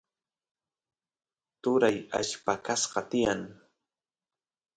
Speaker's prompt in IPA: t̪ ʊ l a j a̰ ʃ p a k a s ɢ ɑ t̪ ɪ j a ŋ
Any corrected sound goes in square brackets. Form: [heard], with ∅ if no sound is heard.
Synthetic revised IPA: t̪ ʊ [ɾ] a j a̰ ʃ p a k a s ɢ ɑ t̪ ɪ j a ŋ